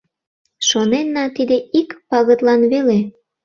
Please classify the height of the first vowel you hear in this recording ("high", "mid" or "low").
mid